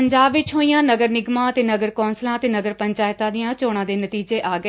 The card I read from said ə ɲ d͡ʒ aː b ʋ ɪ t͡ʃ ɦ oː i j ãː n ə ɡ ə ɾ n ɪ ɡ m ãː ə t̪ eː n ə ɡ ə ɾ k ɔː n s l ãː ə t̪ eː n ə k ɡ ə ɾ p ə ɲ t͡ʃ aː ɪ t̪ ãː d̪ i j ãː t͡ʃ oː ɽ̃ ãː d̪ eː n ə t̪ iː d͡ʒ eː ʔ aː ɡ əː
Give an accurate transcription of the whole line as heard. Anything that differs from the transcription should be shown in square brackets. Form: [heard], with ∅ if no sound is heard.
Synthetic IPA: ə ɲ d͡ʒ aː b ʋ ɪ t͡ʃ ɦ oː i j ãː n ə ɡ ə ɾ n ɪ ɡ m ãː ə t̪ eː n ə ɡ ə ɾ k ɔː n s l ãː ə t̪ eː n ə [∅] ɡ ə ɾ p ə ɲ t͡ʃ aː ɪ t̪ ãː d̪ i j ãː t͡ʃ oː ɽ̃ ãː d̪ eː n ə t̪ iː d͡ʒ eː ʔ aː ɡ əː